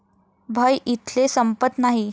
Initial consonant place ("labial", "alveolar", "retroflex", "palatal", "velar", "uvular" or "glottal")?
labial